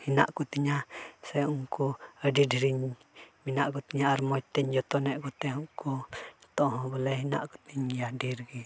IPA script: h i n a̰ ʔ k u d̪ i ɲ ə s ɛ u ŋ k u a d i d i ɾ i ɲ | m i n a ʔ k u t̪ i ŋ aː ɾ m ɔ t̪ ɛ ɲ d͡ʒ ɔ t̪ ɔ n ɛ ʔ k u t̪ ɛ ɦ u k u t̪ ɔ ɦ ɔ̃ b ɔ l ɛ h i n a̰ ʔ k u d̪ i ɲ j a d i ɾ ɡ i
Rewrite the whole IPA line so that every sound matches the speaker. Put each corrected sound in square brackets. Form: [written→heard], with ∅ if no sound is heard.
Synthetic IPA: h i n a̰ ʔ k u [d̪→t̪] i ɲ [ə→a] s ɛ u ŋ k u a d i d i ɾ i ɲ | m i n a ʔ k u t̪ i [ŋ→ɲ] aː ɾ m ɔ t̪ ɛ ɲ d͡ʒ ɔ t̪ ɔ n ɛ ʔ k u t̪ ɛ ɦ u k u t̪ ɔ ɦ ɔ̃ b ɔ l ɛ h i n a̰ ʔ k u [d̪→t̪] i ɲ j a d i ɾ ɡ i